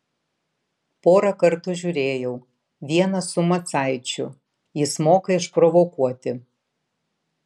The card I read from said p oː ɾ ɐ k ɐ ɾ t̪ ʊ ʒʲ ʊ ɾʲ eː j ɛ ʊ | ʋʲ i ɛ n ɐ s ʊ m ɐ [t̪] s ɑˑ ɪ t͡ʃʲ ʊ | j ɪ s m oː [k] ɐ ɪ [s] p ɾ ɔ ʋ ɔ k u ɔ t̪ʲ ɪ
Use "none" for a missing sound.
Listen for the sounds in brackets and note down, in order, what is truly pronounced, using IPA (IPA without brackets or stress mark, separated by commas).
t̪, k, ʃ